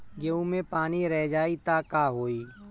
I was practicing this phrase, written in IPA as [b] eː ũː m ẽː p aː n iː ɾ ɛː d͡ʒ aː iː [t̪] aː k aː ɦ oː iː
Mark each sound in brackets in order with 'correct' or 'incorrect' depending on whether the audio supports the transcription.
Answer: incorrect, correct

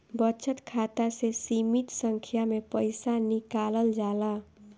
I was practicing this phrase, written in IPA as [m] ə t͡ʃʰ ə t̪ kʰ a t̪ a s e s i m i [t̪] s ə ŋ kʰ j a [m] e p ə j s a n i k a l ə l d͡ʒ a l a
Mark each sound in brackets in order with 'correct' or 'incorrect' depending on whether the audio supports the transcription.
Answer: incorrect, correct, correct

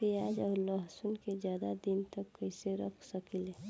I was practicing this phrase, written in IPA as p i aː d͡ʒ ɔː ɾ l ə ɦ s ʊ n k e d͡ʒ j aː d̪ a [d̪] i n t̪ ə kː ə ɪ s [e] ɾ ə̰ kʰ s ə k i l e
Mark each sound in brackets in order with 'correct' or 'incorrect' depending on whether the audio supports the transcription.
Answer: correct, correct

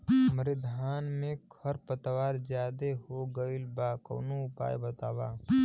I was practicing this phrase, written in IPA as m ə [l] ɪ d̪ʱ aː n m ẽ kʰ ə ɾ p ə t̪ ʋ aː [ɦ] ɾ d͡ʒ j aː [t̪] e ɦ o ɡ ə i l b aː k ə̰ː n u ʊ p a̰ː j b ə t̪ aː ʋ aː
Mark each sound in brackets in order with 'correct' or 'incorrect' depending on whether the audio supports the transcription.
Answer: incorrect, incorrect, incorrect

